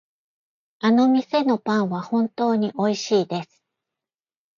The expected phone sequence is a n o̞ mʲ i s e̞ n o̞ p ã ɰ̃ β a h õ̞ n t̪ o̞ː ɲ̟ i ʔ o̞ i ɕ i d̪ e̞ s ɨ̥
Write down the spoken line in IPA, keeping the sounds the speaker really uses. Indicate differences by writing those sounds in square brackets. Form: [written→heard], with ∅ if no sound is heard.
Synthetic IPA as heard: a n o̞ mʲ i s e̞ n o̞ p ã ɰ̃ β a h õ̞ n t̪ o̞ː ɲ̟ i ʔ o̞ i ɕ [i→iː] d̪ e̞ s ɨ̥